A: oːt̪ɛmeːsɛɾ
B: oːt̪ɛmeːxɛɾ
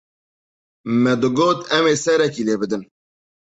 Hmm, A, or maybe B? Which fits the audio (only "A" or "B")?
A